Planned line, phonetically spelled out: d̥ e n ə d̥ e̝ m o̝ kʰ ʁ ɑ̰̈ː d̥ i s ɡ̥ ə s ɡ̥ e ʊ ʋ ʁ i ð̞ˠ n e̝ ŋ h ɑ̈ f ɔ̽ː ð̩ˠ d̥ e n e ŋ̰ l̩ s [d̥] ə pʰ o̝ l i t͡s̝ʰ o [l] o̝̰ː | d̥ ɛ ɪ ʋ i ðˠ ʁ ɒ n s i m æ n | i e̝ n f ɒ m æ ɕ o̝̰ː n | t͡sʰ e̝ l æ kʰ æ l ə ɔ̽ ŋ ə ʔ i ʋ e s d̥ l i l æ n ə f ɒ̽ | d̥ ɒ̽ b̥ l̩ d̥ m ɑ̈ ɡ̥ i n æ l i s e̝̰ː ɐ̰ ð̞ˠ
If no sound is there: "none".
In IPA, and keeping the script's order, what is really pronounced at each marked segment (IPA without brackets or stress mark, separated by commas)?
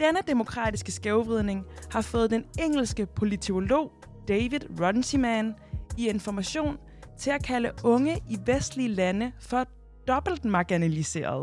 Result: ɡ̥, l